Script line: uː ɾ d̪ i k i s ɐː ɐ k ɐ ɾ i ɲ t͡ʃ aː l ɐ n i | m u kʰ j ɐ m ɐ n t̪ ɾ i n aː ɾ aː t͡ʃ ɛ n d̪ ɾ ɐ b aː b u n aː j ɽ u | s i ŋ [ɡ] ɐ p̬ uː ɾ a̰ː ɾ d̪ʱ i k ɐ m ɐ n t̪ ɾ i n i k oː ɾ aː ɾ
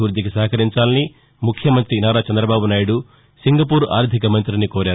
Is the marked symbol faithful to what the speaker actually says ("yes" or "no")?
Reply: yes